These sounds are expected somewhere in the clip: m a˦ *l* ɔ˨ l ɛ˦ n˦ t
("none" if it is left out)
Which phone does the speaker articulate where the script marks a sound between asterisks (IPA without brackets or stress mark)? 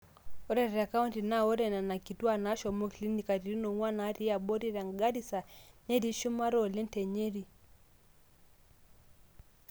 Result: ɾ